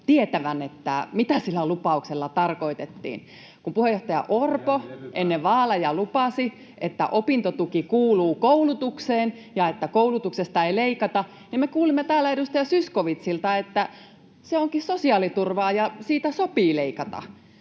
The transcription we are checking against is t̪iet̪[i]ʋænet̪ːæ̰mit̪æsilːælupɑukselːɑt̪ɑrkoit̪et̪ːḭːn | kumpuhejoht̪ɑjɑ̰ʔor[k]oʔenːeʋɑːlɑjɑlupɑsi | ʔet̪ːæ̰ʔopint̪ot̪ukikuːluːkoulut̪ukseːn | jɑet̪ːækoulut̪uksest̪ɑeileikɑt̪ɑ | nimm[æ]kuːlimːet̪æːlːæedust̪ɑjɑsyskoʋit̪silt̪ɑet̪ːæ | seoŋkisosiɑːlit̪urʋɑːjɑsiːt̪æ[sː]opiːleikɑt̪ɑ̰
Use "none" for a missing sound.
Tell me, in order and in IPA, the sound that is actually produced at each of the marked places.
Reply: æ, p, e, s

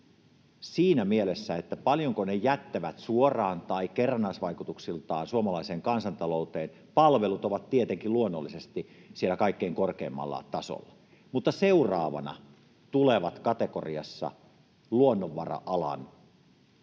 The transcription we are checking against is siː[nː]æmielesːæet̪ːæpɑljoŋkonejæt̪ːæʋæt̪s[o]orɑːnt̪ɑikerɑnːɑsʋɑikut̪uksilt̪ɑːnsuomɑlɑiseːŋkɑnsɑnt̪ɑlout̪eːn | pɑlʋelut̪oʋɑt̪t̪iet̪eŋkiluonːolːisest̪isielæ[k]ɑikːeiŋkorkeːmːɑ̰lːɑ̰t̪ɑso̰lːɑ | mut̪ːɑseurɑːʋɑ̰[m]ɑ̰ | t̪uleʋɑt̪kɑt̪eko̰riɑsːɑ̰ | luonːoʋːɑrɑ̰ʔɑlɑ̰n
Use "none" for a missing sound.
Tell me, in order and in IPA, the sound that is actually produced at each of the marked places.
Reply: n, u, k, n

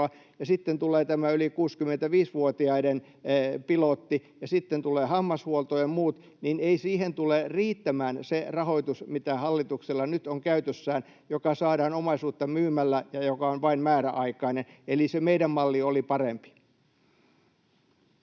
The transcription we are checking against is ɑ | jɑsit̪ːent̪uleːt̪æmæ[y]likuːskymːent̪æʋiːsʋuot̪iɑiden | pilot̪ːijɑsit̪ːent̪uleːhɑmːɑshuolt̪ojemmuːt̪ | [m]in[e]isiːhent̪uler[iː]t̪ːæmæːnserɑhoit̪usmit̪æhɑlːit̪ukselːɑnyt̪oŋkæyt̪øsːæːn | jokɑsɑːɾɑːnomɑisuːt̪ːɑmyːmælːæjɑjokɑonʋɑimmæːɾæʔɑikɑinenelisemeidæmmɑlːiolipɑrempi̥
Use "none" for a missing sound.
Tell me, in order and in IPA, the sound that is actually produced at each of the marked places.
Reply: y, n, e, iː

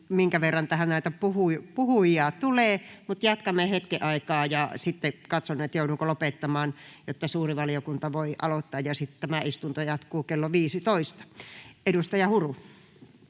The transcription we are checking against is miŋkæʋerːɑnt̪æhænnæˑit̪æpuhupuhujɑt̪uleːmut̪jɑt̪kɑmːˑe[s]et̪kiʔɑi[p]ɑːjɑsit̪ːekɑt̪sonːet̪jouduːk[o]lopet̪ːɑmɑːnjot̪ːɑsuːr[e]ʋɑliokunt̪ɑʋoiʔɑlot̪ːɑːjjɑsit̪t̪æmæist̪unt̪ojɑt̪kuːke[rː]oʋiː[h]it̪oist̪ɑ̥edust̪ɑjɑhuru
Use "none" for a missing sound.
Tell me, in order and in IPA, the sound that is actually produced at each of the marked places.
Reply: h, k, o, i, lː, s

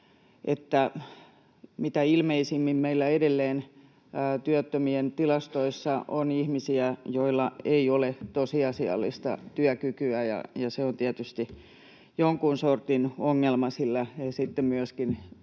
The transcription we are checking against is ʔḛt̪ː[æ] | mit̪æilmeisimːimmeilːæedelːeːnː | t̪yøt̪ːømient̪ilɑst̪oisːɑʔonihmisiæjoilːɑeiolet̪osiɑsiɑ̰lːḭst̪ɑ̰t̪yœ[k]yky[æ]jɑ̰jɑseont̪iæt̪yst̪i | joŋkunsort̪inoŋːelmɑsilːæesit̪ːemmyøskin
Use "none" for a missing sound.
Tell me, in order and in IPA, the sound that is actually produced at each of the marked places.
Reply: æ, k, æ

